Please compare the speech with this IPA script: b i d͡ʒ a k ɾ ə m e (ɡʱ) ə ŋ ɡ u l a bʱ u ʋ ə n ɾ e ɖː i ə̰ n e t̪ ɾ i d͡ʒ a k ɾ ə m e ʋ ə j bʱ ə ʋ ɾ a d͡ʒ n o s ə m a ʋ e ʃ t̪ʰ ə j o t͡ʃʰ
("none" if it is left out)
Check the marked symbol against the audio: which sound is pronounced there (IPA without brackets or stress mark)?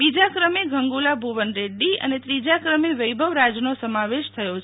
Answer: ɡʱ